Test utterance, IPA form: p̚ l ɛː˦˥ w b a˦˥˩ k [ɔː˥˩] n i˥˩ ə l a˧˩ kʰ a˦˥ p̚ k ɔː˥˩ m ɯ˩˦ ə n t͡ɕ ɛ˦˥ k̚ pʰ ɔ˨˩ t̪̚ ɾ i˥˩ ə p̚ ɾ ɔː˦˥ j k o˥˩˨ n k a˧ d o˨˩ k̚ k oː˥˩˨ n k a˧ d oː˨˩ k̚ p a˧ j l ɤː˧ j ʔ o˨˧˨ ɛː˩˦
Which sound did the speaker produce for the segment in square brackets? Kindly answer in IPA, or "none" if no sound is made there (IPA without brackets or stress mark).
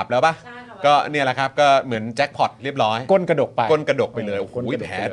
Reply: ɔː˥˩